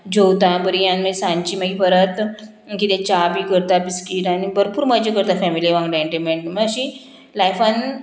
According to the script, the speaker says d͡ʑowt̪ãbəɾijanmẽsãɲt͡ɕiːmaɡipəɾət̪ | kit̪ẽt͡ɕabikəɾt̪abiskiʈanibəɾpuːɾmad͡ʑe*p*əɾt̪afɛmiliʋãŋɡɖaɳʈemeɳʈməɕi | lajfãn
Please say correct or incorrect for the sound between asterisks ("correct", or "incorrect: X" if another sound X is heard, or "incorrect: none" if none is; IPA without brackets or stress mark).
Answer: incorrect: k